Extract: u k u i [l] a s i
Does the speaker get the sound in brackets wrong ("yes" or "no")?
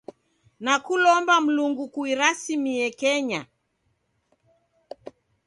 yes